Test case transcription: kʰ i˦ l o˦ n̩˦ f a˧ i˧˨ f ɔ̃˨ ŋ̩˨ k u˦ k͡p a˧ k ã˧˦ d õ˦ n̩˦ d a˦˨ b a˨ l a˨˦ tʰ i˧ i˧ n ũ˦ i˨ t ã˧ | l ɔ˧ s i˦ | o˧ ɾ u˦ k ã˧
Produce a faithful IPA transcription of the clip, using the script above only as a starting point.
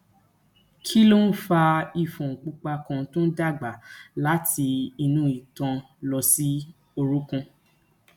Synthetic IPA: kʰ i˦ l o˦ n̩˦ f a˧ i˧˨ f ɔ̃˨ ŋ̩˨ k͡p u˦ k͡p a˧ k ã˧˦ t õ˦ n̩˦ d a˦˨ ɡ͡b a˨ l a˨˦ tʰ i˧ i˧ n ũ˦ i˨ t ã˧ | l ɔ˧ s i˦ | o˧ ɾ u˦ k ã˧